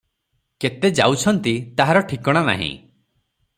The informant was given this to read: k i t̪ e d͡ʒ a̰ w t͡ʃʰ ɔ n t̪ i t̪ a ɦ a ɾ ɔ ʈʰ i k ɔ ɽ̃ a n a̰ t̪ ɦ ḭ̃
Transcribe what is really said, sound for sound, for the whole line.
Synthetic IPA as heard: k e t̪ e d͡ʒ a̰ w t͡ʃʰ ɔ n t̪ i t̪ a ɦ a ɾ ɔ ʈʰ i k ɔ ɽ̃ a n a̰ ɦ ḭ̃